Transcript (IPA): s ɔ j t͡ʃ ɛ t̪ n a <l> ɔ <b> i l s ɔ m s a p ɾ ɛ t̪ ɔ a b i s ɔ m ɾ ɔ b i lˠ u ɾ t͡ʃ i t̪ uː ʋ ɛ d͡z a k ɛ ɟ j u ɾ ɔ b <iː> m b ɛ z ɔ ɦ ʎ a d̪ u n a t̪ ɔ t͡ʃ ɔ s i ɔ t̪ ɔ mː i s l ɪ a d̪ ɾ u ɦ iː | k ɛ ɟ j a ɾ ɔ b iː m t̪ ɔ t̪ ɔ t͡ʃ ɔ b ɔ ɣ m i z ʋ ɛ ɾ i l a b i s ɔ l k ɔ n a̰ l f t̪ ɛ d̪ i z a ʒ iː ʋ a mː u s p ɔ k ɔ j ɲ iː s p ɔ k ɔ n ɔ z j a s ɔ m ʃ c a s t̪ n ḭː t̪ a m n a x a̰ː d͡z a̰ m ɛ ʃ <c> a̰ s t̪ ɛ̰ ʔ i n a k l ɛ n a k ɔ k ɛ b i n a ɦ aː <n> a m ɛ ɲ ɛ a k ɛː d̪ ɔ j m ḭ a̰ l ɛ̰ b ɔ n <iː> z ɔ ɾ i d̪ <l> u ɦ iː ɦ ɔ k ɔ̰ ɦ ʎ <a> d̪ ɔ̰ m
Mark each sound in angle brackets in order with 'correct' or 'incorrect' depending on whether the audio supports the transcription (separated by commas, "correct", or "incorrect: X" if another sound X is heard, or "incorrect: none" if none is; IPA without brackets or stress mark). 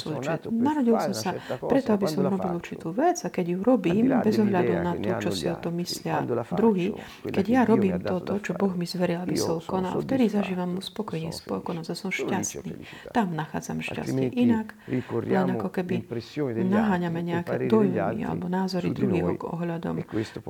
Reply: incorrect: ɾ, incorrect: ɟ, correct, correct, incorrect: ɲ, incorrect: aː, incorrect: ɾ, correct